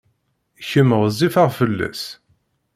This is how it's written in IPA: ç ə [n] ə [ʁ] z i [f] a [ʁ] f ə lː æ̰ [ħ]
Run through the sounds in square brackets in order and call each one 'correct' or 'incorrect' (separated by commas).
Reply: incorrect, correct, correct, correct, incorrect